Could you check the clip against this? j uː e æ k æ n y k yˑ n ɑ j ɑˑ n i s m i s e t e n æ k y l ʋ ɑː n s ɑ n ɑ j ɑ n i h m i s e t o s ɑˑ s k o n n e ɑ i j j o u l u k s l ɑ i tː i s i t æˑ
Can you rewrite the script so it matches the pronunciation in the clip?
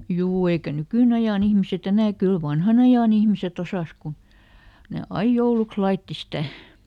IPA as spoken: j uː e i k æ n y k yˑ n ɑ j ɑˑ n i h m i s e t e n æ k y l ʋ ɑ n h ɑ n ɑ j ɑ n i h m i s e t o s ɑˑ s k u n n e ɑ i j j o u l u k s l ɑ i tː i s i t æˑ